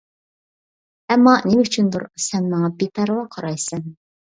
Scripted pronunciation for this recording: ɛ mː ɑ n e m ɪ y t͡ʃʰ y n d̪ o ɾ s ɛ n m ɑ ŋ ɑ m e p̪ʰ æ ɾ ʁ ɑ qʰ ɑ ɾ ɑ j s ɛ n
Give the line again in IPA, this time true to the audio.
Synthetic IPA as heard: ɛ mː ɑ n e m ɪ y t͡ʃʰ y n d̪ u ɾ s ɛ n m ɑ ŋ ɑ b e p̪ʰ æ ɾ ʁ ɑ qʰ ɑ ɾ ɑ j s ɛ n